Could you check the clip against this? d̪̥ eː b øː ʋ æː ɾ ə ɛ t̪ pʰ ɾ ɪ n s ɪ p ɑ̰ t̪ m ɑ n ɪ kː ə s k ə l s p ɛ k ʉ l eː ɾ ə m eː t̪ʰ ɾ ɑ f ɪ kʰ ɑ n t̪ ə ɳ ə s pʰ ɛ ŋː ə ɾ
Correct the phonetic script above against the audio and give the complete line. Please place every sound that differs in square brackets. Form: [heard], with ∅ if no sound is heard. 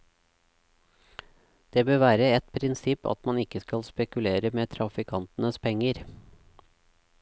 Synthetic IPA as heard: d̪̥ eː b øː ʋ æː ɾ ə ɛ t̪ pʰ ɾ ɪ n s ɪ p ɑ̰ t̪ m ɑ n ɪ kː ə s k [ɑ] l s p ɛ k ʉ l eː ɾ ə m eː t̪ʰ ɾ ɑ f ɪ kʰ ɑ n t̪ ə [n] ə s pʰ ɛ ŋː ə ɾ